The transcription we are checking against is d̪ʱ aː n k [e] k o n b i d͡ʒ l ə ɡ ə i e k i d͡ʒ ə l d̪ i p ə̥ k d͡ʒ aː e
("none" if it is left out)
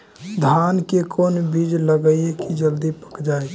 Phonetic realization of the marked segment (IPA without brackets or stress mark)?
e